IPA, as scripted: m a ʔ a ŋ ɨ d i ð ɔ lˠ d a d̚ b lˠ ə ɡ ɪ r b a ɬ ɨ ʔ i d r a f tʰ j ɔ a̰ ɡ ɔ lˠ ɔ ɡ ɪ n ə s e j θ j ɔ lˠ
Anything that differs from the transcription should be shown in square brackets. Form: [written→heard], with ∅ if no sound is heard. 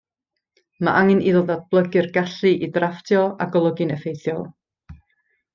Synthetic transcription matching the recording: m a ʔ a ŋ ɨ [d→n] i ð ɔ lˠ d a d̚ b lˠ ə ɡ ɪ r [b→ɡ] a ɬ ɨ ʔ i d r a f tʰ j ɔ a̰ ɡ ɔ lˠ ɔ ɡ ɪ n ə [s→f] e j θ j ɔ lˠ

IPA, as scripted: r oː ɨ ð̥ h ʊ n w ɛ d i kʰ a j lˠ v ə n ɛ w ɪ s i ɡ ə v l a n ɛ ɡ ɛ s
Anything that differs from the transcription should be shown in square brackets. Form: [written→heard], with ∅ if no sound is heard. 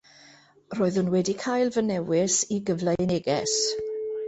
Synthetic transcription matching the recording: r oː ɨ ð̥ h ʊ n w ɛ d i kʰ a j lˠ v ə n ɛ w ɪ s i ɡ ə v l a n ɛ ɡ ɛ s

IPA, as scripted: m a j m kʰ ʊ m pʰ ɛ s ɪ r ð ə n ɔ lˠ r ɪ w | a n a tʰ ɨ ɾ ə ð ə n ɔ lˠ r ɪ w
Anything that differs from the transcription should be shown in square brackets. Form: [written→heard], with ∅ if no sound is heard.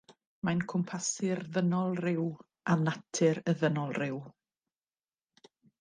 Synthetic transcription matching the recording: m a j [m→n] kʰ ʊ m pʰ [ɛ→a] s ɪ r ð ə n ɔ lˠ r ɪ w | a n a tʰ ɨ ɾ ə ð ə n ɔ lˠ r ɪ w

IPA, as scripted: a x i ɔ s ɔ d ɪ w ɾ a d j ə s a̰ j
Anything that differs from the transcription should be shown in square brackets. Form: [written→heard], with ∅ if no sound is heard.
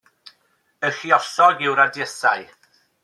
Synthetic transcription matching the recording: [a→ə] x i ɔ s ɔ [d→ɡ] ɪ w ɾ a d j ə s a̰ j

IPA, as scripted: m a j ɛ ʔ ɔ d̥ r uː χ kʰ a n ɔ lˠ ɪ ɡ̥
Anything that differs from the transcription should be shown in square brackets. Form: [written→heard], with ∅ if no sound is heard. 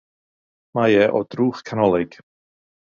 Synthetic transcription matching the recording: m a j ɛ ʔ ɔ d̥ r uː χ kʰ a n ɔ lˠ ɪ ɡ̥

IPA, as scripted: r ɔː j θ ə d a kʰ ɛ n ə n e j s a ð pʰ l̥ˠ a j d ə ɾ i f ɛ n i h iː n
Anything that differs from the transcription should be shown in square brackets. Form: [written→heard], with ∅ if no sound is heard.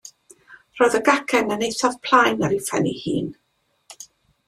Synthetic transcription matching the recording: r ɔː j [θ→ð] ə [d→ɡ] a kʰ ɛ n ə n e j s a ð pʰ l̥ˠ a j [d→n] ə ɾ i f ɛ n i h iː n

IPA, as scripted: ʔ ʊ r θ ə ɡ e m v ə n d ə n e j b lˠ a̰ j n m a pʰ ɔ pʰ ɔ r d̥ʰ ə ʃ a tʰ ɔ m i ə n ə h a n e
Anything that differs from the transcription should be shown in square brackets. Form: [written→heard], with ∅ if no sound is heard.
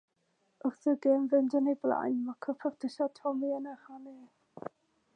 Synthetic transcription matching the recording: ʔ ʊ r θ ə ɡ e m v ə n d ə n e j b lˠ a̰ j n m a [pʰ→kʰ] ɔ pʰ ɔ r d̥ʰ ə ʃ a tʰ ɔ m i ə n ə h a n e

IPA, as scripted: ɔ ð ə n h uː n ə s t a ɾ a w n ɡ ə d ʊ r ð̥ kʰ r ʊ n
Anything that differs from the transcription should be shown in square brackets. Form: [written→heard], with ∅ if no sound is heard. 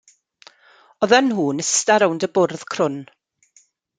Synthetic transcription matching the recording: ɔ ð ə n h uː n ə s t a ɾ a w n [ɡ→d] ə [d→b] ʊ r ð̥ kʰ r ʊ n

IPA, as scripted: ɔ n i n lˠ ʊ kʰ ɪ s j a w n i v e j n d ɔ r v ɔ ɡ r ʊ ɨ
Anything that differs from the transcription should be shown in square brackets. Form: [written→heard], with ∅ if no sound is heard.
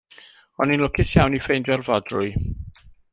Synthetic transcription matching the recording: ɔ n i n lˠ ʊ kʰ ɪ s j a w n i [v→f] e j n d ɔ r v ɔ [ɡ→d] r ʊ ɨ

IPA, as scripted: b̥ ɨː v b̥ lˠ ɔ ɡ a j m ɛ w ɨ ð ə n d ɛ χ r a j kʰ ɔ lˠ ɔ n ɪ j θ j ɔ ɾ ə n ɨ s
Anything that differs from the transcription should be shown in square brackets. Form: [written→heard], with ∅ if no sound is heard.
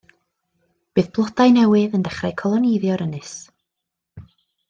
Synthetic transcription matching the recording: b̥ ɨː [v→ð] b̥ lˠ ɔ [ɡ→d] a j [m→n] ɛ w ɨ ð ə n d ɛ χ r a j kʰ ɔ lˠ ɔ n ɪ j [θ→ð] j ɔ ɾ ə n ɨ s

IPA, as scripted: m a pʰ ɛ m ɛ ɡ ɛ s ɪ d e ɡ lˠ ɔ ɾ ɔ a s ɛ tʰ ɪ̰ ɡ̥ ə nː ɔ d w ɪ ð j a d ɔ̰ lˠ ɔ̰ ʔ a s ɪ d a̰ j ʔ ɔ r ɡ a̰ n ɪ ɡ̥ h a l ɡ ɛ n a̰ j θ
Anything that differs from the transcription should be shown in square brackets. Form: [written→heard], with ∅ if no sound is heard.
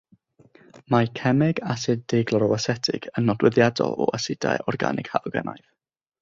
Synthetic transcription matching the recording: m a [pʰ→kʰ] ɛ m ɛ ɡ [ɛ→a] s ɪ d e ɡ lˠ ɔ ɾ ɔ a s ɛ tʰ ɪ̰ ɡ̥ ə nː ɔ d w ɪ ð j a d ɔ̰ lˠ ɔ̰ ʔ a s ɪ d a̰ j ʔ ɔ r ɡ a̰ n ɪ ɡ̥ h a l ɡ ɛ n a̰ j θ

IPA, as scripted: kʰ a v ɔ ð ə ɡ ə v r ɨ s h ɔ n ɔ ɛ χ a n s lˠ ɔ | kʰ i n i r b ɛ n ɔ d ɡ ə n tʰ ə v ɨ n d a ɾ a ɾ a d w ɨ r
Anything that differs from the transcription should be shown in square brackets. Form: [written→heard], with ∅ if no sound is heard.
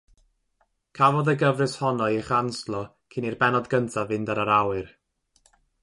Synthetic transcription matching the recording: kʰ a v ɔ ð ə ɡ ə v r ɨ s h ɔ n ɔ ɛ χ a n s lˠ ɔ | kʰ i n i r b ɛ n ɔ d ɡ ə n tʰ [ə→a] v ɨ n d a ɾ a ɾ a [d→∅] w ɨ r

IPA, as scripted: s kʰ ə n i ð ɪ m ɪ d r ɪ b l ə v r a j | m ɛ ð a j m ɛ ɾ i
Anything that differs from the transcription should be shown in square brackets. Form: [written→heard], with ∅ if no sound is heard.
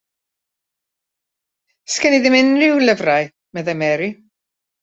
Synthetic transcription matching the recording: s [kʰ→k] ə n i ð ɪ m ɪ [d→n] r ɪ [b→w] l ə v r a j | m ɛ ð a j m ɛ ɾ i

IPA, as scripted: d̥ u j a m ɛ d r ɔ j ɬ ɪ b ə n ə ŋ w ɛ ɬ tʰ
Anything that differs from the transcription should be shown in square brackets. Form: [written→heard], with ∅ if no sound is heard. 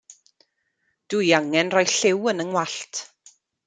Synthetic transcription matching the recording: d̥ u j a [m→ŋ] ɛ [d→n] r ɔ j ɬ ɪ [b→w] ə n ə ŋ w [ɛ→a] ɬ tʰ

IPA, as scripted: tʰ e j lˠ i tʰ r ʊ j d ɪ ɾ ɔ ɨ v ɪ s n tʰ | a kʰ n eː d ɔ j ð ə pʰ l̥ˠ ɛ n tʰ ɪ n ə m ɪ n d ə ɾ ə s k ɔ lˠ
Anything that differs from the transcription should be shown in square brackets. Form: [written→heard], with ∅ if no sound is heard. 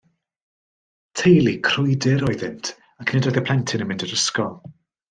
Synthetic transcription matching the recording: tʰ e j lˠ i [tʰ→kʰ] r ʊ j d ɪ ɾ ɔ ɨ [v→ð] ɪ [s→∅] n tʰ | a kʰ n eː d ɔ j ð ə pʰ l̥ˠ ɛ n tʰ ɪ n ə m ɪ n d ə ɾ ə s k ɔ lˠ

